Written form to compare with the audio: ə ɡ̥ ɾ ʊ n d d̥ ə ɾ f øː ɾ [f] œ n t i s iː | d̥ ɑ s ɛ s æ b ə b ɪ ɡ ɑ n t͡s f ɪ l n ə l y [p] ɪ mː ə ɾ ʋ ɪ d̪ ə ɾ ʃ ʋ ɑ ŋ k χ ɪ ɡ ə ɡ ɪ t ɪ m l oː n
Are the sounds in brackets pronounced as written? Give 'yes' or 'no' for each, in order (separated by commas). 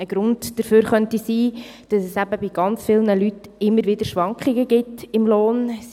no, no